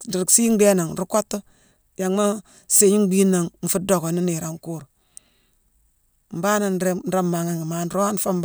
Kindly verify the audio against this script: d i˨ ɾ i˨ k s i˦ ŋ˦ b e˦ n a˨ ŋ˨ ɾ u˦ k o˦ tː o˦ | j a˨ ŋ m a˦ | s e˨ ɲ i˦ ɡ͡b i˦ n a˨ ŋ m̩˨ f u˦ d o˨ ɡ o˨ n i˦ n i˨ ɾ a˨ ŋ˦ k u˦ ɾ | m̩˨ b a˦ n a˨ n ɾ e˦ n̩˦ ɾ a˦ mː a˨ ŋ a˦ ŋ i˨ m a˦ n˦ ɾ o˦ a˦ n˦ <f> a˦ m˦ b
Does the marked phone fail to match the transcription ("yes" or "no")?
no